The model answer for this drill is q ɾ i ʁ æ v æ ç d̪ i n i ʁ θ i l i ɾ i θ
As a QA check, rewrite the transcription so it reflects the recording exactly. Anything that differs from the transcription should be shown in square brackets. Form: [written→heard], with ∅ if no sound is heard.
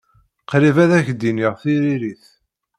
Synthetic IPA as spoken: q ɾ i [ʁ→v] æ [v→ð] æ ç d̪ i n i ʁ θ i [l→ɾ] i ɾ i θ